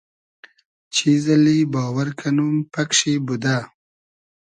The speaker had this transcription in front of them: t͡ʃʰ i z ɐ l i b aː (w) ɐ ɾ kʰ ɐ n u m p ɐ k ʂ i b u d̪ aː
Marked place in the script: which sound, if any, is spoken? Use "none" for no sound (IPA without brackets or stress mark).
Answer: w